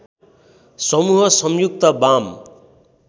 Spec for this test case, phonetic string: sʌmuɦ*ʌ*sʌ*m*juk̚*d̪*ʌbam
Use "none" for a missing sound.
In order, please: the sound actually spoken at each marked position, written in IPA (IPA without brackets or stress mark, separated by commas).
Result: ʌ, m, t̪